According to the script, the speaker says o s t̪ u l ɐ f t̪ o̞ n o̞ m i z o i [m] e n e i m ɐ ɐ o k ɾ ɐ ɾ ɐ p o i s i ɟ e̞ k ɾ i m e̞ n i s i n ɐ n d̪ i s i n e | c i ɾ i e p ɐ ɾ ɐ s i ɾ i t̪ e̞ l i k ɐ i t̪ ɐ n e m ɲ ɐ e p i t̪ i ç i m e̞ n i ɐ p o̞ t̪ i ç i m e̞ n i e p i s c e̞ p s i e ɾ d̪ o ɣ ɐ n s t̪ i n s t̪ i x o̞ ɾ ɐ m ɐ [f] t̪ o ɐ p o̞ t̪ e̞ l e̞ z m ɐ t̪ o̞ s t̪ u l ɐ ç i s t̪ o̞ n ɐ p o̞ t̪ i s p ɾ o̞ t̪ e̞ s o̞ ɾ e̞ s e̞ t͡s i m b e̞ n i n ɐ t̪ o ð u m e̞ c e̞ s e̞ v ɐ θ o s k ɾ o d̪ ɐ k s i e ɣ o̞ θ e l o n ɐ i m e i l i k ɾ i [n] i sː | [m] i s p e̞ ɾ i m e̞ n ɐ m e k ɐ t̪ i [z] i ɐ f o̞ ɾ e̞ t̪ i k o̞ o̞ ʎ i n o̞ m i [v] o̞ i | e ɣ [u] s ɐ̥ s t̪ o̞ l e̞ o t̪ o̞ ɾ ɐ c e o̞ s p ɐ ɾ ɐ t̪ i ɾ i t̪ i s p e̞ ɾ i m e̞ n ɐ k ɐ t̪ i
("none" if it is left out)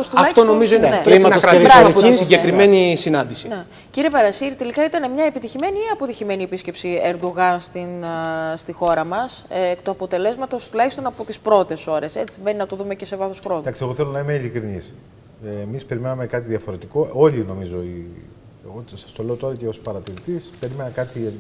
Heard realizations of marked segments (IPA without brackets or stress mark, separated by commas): n, s, n, m, ð, z, o